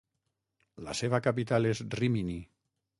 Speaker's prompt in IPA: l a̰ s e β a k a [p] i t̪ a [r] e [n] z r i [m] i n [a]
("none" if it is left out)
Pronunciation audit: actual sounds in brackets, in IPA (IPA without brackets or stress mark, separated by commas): p, l, none, m, i